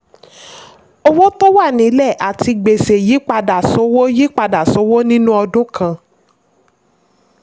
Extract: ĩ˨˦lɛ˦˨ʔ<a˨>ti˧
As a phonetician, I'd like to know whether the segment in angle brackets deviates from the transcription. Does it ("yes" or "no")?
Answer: no